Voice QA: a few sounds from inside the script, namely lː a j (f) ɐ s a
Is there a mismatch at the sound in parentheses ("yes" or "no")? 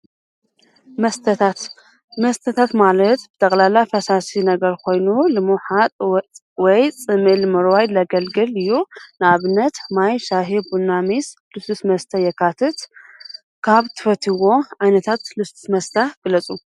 no